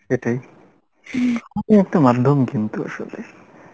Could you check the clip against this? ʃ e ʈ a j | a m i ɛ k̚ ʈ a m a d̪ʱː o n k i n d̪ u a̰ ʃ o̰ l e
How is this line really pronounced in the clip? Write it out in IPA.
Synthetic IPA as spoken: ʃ e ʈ a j | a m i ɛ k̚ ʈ a m a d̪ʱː o m k i n t̪ u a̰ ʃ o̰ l e